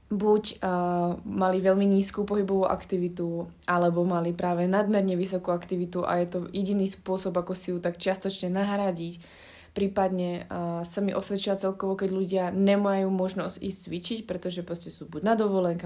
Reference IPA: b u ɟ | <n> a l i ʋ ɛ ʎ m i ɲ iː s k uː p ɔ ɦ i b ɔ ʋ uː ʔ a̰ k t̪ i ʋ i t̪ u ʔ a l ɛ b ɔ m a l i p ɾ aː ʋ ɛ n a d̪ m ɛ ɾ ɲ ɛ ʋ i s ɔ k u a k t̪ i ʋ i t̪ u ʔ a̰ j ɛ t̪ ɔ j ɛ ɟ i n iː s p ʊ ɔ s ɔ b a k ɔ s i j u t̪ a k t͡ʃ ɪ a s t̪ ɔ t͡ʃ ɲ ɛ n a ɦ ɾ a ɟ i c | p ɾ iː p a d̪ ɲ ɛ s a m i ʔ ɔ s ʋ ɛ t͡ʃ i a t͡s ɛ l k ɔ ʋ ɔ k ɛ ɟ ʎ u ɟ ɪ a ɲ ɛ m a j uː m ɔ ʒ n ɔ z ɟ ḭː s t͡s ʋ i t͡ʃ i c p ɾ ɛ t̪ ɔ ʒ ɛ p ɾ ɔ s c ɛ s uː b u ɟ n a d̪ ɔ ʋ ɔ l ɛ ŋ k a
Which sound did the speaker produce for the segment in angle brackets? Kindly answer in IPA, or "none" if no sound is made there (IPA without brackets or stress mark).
m